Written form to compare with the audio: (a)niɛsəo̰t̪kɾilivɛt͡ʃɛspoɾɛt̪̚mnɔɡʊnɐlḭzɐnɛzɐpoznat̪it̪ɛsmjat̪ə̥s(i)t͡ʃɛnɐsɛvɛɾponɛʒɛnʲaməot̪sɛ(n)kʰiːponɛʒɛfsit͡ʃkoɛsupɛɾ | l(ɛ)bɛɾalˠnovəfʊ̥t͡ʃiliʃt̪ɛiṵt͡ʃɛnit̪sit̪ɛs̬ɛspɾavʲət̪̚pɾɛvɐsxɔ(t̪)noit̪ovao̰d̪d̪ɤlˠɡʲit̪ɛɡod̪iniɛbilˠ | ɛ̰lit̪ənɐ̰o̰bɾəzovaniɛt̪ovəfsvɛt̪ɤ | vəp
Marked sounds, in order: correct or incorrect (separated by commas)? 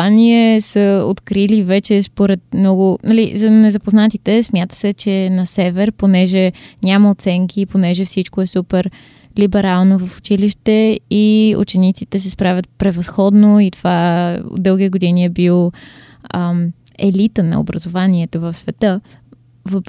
correct, incorrect, incorrect, incorrect, incorrect